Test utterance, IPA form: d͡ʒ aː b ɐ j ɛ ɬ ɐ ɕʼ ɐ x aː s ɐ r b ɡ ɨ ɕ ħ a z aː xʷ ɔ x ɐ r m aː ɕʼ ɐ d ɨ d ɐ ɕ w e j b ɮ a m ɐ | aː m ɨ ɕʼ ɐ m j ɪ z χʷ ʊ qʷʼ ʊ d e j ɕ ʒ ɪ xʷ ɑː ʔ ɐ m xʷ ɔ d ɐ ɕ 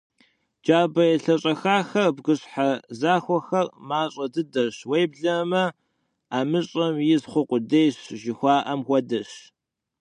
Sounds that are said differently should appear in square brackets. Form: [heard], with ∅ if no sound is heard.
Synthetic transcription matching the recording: d͡ʒ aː b ɐ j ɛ ɬ ɐ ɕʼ ɐ x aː [x] ɐ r b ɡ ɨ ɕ ħ a z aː xʷ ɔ x ɐ r m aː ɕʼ ɐ d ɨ d ɐ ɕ w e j b ɮ [ɐ] m ɐ | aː m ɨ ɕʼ ɐ m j ɪ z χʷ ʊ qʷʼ ʊ d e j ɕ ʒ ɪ xʷ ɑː ʔ ɐ m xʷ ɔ d ɐ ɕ